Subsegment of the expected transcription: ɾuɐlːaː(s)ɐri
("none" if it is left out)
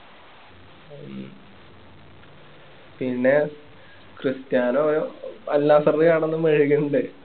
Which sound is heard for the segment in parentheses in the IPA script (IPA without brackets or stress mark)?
s